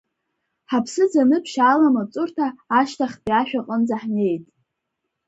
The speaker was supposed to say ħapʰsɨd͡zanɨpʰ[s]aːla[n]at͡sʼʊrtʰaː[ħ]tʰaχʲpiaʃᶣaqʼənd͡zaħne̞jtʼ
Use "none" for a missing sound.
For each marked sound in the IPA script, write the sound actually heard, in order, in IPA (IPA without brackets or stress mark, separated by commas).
ʃ, m, ʃ